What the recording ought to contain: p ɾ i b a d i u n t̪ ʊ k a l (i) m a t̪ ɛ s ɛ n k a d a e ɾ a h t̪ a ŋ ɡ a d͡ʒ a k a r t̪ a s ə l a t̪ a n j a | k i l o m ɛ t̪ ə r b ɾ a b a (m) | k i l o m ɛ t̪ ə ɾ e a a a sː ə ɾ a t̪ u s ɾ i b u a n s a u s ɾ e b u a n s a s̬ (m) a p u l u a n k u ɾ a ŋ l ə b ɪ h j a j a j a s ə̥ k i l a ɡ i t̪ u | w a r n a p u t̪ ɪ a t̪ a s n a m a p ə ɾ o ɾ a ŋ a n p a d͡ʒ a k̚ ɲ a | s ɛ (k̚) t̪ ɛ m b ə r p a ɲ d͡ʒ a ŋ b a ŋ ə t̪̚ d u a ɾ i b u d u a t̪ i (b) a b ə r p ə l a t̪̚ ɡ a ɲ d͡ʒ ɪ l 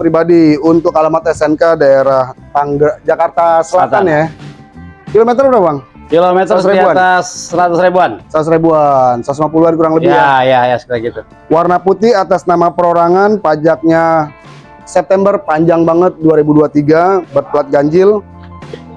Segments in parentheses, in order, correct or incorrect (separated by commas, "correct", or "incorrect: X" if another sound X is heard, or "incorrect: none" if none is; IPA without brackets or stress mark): incorrect: a, incorrect: ŋ, correct, incorrect: p̚, incorrect: ɡ